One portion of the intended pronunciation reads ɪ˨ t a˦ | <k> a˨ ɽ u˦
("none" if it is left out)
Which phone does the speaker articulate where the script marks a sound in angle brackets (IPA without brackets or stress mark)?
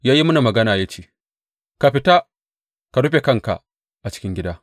k